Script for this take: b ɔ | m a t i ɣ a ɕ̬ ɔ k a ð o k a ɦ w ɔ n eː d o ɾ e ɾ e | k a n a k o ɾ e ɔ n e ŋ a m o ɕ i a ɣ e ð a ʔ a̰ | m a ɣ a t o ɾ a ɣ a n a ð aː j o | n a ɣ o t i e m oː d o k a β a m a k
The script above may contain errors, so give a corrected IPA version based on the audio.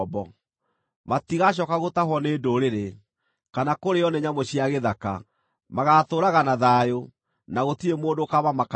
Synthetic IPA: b ɔ | m a t i ɣ a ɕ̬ ɔ k a ɣ o t a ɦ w ɔ n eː d o ɾ e ɾ e | k a n a k o ɾ e ɔ n e ɲ a m o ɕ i a ɣ e ð a k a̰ | m a ɣ a t o ɾ a ɣ a n a ð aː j o | n a ɣ o t i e m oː d o k a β a m a k

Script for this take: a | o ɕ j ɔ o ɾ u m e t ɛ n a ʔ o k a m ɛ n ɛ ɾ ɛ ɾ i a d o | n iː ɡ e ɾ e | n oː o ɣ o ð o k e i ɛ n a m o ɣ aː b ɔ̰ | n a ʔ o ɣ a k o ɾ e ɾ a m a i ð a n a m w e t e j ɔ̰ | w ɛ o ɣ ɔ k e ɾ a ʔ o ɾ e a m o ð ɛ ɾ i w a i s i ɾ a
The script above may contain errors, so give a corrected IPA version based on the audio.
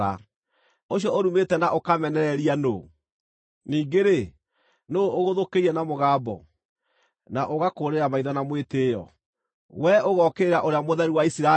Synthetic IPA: a | o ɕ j ɔ o ɾ u m e t ɛ n a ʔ o k a m ɛ n ɛ ɾ ɛ ɾ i a n o | n iː ɡ e ɾ e | n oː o ɣ o ð o k e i ɛ n a m o ɣ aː b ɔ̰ | n a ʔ o ɣ a k o ɾ e ɾ a m a i ð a n a m w e t e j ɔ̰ | w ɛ o ɣ ɔ k e ɾ a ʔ o ɾ e a m o ð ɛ ɾ i w a i s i ɾ a

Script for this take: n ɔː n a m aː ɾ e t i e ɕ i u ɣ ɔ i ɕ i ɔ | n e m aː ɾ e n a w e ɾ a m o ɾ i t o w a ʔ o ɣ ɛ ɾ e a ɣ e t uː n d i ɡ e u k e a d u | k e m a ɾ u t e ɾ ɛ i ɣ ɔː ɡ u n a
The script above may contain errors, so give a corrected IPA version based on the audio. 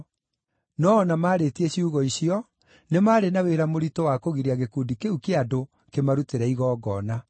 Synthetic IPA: n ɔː n a m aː ɾ e t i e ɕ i u ɣ ɔ i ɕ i ɔ | n e m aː ɾ e n a w e ɾ a m o ɾ i t o w a k o ɣ i ɾ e a ɣ e k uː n d i k e u k e a d o | k e m a ɾ u t e ɾ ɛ i ɣ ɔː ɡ ɔ n a

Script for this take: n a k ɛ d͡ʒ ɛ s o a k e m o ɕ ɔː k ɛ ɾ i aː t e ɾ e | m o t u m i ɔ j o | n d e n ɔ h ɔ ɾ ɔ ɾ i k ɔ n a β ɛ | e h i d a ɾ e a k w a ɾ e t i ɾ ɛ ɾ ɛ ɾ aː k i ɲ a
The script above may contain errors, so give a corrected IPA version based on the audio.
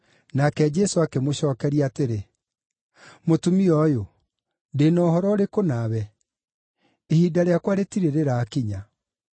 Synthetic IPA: n a k ɛ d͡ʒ ɛ s o a k e m o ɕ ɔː k ɛ ɾ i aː t e ɾ e | m o t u m i ɔ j o | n d e n ɔ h ɔ ɾ ɔ ɾ e k o n a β ɛ | e h i d a ɾ e a k w a ɾ e t i ɾ e ɾ e ɾ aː k i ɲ a

